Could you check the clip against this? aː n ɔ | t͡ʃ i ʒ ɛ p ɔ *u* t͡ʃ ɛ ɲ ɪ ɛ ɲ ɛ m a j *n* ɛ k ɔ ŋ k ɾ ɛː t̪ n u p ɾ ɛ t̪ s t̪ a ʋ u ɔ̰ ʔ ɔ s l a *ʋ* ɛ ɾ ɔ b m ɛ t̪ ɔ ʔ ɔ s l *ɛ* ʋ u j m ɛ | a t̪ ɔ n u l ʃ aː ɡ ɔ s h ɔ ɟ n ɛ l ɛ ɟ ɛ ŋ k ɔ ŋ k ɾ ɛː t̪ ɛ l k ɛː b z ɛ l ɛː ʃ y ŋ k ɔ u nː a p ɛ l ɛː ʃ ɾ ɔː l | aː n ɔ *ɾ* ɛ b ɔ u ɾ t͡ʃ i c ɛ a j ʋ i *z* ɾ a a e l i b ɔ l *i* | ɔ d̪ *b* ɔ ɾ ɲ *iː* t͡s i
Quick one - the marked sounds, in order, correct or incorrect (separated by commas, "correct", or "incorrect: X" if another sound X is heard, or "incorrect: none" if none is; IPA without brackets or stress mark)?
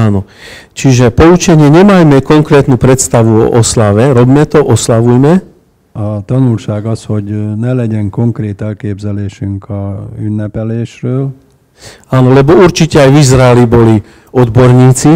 correct, incorrect: m, correct, incorrect: a, incorrect: l, correct, correct, correct, correct